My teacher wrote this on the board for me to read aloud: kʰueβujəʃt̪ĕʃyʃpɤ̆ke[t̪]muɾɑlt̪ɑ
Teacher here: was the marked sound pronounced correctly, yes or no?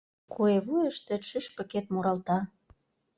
yes